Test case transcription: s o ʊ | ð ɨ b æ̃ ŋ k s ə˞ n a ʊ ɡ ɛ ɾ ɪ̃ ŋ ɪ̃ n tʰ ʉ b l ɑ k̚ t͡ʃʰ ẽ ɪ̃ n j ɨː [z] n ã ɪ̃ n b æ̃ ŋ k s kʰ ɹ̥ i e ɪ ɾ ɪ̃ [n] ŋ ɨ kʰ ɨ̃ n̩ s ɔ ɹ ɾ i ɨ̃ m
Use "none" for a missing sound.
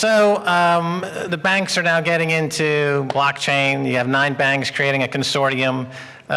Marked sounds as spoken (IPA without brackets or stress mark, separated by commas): v, none